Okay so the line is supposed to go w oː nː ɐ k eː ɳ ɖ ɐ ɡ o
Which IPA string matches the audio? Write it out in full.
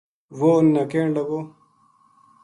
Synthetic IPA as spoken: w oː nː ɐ k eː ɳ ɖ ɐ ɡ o